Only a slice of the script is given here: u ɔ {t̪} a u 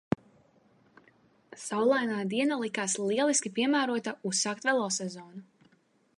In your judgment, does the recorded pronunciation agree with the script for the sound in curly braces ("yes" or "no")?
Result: yes